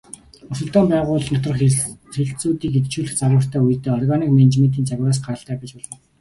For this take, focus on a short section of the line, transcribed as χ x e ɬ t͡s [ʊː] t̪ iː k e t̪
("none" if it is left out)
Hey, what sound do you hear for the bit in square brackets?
uː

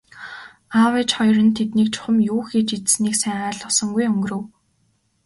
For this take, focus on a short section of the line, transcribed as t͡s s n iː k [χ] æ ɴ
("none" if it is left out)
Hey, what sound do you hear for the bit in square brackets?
s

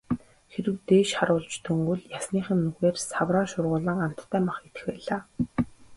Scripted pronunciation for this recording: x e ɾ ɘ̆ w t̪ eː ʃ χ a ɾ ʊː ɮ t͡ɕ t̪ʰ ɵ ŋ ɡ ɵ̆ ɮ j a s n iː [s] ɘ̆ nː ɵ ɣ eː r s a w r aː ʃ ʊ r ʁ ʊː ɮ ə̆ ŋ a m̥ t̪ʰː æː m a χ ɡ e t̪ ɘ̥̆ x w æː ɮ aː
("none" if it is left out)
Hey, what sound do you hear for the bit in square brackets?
χ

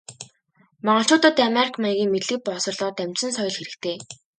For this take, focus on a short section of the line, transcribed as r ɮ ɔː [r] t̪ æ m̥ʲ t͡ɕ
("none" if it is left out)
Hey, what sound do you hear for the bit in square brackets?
none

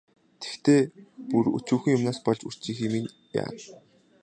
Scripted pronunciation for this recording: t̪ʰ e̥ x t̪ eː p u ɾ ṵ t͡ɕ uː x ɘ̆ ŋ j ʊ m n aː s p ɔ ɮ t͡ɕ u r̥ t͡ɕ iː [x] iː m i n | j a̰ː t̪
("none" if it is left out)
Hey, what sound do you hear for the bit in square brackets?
x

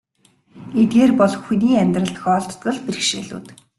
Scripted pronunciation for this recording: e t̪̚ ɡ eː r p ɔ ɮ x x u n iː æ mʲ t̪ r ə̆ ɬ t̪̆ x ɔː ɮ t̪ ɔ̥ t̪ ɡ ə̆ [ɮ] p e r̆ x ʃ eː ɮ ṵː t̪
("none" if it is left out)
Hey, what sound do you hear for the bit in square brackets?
ɮ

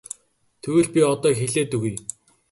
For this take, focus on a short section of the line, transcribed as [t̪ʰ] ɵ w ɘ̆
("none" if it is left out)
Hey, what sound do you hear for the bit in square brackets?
t̪ʰ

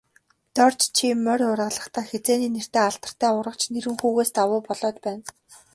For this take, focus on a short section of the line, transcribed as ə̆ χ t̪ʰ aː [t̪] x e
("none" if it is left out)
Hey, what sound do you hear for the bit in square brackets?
none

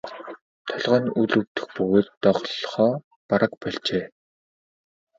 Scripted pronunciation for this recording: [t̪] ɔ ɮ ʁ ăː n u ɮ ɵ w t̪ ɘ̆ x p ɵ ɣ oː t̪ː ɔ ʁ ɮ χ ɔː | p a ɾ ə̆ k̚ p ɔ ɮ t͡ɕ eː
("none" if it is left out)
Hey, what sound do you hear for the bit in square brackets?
t̪ʰ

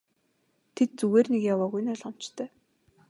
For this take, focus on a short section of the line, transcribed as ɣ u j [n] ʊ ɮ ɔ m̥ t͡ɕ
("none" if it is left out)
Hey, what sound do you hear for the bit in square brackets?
n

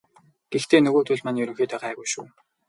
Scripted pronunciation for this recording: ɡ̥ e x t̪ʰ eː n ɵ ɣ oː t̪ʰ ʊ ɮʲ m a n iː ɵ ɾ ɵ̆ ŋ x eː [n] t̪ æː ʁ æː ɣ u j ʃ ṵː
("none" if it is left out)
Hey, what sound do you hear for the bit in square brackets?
none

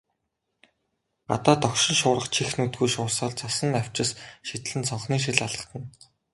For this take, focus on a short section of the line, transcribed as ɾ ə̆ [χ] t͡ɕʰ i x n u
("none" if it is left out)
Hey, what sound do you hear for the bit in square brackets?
χ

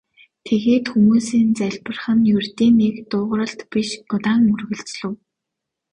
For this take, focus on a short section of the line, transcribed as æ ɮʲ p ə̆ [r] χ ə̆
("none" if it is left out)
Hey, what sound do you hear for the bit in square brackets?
r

